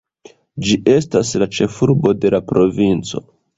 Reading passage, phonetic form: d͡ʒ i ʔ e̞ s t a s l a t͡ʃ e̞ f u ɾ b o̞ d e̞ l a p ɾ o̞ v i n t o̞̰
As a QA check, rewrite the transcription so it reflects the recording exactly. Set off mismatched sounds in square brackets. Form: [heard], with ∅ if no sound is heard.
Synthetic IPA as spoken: d͡ʒ i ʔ e̞ s t a s l a t͡ʃ e̞ f u ɾ b o̞ d e̞ l a p ɾ o̞ v i n [t͡s] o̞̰